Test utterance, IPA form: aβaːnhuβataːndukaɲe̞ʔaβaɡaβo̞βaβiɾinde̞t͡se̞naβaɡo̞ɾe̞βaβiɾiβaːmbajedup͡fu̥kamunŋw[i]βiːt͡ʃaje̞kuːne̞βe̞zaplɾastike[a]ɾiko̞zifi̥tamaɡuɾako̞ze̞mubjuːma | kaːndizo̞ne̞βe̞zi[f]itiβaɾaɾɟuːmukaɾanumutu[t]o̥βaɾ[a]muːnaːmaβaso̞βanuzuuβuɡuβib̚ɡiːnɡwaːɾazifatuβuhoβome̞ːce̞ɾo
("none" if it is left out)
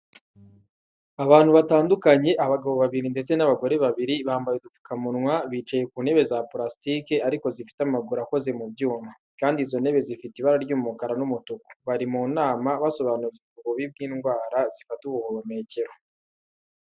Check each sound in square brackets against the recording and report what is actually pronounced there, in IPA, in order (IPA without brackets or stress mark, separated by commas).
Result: a, a, f, k, i